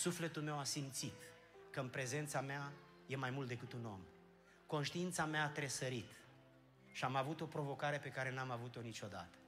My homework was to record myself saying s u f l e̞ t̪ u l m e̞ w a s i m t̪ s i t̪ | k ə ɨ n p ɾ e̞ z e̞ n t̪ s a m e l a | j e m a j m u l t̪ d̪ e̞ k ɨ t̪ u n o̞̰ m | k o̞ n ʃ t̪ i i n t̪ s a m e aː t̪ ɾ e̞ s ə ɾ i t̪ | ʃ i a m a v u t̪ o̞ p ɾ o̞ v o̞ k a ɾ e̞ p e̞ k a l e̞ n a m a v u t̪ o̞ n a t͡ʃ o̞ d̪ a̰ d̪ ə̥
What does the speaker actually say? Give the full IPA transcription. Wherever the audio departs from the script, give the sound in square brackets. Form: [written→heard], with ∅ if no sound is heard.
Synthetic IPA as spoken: s u f l e̞ t̪ u l m e̞ w a s i m t̪ s i t̪ | k ə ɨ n p ɾ e̞ z e̞ n t̪ s a m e [l→∅] a | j e m a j m u l t̪ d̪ e̞ k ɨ t̪ u n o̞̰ m | k o̞ n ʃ t̪ i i n t̪ s a m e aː t̪ ɾ e̞ s ə ɾ i t̪ | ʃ i a m a v u t̪ o̞ p ɾ o̞ v o̞ k a ɾ e̞ p e̞ k a [l→ɾ] e̞ n a m a v u t̪ o̞ n [a→i] t͡ʃ o̞ d̪ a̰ [d̪→t̪] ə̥